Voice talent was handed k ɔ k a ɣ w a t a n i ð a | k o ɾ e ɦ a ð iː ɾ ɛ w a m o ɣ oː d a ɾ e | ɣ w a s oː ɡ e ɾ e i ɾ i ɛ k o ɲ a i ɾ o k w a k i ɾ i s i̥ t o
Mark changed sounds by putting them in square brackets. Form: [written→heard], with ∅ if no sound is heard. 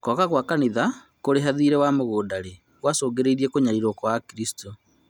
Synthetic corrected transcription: k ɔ k a ɣ w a [t→k] a n i ð a | k o ɾ e ɦ a ð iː ɾ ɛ w a m o ɣ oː d a ɾ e | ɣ w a s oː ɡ e ɾ e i ɾ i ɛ k o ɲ a i ɾ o k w a k i ɾ i s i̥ t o